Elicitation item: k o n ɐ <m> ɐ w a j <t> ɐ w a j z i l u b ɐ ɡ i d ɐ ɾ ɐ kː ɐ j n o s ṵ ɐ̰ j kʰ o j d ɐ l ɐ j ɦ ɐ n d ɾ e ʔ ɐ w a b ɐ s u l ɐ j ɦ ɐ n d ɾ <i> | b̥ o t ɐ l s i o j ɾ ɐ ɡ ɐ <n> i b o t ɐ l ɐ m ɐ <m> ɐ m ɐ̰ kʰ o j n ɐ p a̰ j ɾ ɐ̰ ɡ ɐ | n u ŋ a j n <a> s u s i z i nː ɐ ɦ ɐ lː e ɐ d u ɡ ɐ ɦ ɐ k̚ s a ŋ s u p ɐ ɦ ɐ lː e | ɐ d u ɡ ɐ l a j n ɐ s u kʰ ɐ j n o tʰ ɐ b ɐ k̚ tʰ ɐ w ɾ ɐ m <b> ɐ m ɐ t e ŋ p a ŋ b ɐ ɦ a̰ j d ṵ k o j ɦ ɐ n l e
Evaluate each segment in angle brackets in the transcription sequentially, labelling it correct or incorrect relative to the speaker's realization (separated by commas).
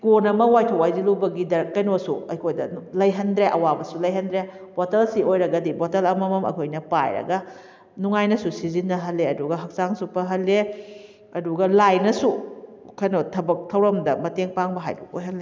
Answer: correct, incorrect, incorrect, incorrect, correct, incorrect, incorrect